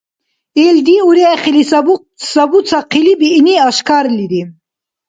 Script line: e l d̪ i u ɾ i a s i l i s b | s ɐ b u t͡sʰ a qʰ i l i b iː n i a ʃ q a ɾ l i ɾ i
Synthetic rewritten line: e l d̪ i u ɾ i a χ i l i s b | s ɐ b u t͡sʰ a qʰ i l i b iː n i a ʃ k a ɾ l i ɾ i